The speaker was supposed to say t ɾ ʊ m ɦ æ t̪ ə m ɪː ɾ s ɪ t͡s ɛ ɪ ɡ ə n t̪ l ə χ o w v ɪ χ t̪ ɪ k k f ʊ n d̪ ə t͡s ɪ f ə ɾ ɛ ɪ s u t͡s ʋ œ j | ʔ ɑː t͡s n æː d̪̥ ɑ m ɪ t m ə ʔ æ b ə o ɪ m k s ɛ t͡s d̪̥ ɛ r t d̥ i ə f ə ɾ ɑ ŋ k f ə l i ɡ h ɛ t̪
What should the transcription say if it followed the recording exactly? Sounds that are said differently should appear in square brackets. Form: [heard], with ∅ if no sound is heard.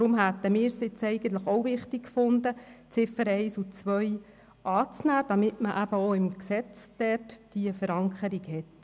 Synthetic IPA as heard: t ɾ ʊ m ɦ æ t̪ ə m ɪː ɾ s ɪ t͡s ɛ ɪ ɡ ə n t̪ l ə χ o w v ɪ χ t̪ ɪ k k f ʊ n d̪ ə t͡s ɪ f ə ɾ ɛ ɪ s u t͡s ʋ œ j | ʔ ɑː t͡s n æː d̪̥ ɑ m ɪ t m ə ʔ æ b ə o ɪ m k s ɛ t͡s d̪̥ ɛ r t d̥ i ə f ə ɾ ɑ ŋ k [χ] ə [ɾ] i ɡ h ɛ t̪